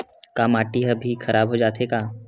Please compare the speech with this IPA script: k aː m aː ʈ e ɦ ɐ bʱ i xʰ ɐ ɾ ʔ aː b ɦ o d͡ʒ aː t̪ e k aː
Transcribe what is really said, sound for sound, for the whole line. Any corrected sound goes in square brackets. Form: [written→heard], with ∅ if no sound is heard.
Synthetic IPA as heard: k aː m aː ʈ [e→i] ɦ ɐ bʱ i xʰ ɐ ɾ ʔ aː b ɦ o d͡ʒ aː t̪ e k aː